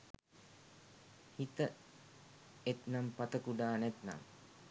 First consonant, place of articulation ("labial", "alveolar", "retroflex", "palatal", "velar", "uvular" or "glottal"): glottal